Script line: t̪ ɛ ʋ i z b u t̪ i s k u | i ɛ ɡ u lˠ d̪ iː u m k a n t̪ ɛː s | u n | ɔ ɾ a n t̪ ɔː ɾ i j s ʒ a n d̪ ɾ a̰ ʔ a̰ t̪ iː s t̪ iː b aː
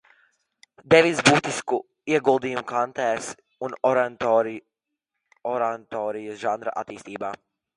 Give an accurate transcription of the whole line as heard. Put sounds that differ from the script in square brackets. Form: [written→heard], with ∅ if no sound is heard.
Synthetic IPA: [t̪→d̪] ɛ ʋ i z b u t̪ i s k u | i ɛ ɡ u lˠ d̪ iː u m k a n t̪ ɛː s | u n | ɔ ɾ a n t̪ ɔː ɾ i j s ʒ a n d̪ ɾ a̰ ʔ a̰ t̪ iː s t̪ iː b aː